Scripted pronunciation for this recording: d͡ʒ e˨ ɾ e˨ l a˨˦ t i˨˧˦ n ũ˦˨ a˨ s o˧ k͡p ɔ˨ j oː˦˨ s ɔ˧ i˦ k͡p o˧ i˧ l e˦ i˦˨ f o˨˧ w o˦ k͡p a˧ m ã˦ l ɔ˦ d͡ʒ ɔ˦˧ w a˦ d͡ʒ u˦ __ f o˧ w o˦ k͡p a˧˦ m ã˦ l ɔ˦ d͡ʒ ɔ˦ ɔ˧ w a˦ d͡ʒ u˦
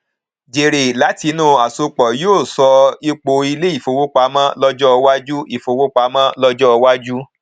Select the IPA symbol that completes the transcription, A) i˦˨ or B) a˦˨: A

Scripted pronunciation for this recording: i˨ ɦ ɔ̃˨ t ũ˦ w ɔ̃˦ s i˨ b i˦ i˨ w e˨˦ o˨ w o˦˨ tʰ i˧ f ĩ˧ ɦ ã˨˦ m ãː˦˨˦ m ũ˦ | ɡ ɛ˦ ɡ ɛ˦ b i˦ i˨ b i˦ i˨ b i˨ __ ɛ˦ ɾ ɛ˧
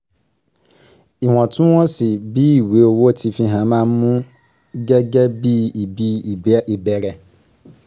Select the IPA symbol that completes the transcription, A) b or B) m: A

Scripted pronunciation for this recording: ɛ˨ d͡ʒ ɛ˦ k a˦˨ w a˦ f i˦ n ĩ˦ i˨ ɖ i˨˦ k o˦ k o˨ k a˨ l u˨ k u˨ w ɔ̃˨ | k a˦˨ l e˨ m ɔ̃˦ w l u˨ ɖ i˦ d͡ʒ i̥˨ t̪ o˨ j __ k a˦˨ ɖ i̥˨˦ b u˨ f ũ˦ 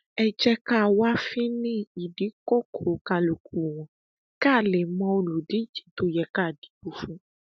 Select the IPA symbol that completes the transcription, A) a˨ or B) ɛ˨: B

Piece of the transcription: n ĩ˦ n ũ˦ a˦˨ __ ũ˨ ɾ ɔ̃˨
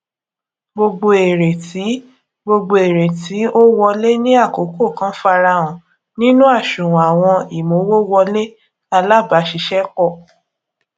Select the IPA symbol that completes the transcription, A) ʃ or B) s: A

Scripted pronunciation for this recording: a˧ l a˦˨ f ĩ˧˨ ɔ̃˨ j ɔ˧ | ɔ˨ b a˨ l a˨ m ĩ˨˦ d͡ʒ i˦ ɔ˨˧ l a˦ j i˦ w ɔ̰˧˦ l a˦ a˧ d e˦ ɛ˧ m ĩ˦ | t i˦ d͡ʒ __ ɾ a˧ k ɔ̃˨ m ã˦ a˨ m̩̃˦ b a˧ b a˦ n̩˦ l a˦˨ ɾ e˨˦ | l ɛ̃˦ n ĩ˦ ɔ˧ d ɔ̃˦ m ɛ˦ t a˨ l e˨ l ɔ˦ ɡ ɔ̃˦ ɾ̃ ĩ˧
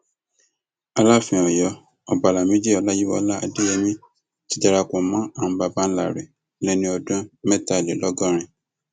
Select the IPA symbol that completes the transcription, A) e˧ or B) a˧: B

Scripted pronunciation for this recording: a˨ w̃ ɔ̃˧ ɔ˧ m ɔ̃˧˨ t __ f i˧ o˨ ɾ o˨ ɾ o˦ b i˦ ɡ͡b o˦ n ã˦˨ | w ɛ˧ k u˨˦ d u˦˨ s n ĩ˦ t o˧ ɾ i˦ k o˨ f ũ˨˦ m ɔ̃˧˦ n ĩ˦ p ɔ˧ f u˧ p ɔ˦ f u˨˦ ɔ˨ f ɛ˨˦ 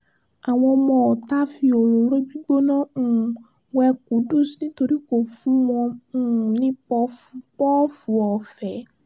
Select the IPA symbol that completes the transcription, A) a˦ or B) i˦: A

